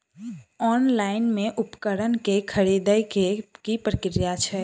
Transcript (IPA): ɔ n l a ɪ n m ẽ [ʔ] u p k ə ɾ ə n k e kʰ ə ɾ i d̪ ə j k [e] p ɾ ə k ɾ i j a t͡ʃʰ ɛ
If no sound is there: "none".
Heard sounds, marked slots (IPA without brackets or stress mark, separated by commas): ʔ, i